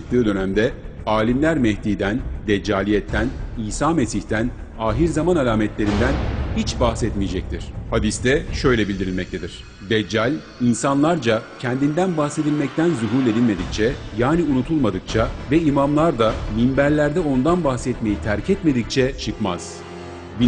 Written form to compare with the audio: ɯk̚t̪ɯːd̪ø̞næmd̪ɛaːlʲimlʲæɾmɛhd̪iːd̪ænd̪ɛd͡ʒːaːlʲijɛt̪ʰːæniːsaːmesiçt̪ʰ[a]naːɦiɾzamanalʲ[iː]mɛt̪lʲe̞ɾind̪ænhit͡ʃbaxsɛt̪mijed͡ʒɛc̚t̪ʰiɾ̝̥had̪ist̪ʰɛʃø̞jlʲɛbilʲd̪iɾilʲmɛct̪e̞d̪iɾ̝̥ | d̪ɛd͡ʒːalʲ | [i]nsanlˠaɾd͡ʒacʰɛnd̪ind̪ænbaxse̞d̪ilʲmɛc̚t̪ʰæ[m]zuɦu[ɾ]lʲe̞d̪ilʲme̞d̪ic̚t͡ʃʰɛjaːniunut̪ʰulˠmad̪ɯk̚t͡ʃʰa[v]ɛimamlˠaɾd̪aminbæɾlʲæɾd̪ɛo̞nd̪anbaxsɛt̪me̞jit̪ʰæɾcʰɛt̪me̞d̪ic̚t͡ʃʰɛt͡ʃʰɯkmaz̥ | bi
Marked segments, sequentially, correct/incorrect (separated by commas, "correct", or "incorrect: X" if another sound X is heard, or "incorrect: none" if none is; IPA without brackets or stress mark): incorrect: æ, incorrect: aː, correct, incorrect: n, correct, correct